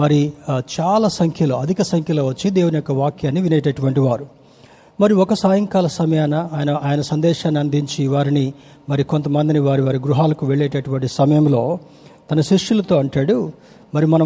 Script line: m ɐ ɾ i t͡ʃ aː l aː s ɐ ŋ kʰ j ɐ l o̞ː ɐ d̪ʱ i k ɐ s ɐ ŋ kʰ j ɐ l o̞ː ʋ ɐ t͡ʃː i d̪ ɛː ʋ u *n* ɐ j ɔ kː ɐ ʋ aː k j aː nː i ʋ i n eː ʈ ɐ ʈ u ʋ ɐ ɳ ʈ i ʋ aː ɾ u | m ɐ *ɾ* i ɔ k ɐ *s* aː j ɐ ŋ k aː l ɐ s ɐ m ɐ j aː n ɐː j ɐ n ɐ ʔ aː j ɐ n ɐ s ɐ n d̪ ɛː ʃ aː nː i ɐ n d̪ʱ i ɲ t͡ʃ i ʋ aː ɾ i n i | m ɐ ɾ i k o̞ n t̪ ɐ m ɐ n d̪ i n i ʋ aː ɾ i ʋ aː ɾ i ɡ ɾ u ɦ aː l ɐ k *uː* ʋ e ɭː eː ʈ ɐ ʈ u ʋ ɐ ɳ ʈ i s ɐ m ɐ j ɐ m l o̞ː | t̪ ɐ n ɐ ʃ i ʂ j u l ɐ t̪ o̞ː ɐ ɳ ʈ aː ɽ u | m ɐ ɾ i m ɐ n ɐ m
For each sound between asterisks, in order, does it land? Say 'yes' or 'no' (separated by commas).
yes, yes, yes, no